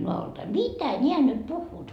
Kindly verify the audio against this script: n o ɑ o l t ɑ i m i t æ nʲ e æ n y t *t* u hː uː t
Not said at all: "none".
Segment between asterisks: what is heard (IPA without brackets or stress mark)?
p